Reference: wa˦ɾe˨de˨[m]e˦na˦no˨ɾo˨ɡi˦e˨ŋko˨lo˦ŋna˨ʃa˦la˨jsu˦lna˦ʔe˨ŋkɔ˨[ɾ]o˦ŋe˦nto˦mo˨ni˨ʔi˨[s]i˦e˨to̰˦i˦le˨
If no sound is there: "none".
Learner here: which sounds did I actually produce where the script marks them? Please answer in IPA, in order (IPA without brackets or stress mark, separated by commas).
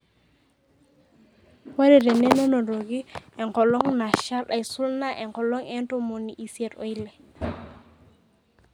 n, l, s